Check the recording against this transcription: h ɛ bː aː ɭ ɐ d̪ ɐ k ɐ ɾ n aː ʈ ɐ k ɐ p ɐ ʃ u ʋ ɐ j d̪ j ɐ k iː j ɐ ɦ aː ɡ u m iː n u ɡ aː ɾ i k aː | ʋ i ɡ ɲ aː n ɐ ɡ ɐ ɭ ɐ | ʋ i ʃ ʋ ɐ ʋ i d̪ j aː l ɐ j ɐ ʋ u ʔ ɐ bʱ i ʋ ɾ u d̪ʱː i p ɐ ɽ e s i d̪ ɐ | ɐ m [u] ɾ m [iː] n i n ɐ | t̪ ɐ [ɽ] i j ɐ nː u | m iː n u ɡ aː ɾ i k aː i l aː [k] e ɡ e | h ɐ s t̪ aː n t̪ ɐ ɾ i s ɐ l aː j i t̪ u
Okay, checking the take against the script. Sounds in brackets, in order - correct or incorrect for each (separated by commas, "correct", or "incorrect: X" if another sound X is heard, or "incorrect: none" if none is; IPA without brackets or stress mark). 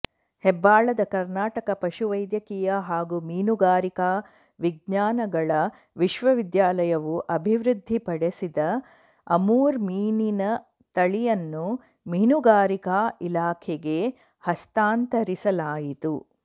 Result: incorrect: uː, correct, incorrect: ɭ, incorrect: kʰ